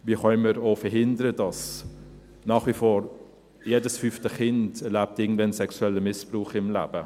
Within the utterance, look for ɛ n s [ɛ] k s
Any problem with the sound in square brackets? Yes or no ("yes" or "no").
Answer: no